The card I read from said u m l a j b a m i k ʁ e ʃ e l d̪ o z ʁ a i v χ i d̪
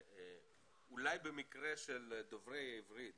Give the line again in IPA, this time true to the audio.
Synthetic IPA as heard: u l a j b e m i k ʁ e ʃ e l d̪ o v ʁ e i v ʁ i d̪